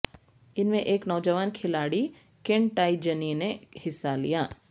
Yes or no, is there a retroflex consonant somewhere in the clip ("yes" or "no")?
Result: yes